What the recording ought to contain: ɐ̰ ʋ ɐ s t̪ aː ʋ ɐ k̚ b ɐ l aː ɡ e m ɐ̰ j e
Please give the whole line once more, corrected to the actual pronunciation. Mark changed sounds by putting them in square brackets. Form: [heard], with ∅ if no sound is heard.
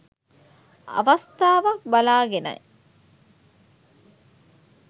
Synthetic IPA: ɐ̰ ʋ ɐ s t̪ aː ʋ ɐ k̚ b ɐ l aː ɡ e [n] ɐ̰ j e